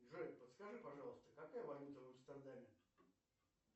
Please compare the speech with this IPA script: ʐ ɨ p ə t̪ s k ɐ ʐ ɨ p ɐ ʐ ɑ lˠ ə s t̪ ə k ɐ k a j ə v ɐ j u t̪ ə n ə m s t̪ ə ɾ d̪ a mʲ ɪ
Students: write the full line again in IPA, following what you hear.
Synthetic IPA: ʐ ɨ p ə t̪ s k ɐ ʐ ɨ p ɐ ʐ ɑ lˠ ə s t̪ ə k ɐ k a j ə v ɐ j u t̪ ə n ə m s t̪ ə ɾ d̪ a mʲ ɪ